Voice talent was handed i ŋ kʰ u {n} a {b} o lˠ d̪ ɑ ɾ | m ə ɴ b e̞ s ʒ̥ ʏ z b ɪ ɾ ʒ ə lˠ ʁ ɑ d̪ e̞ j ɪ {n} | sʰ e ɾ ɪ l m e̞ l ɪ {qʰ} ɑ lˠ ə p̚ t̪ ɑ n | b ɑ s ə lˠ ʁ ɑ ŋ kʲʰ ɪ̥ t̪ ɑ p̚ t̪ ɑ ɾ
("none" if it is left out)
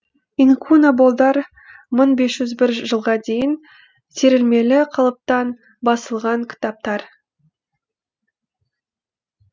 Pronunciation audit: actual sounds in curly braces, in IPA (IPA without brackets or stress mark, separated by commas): n, b, n, qʰ